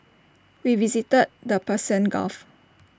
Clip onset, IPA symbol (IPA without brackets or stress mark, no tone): w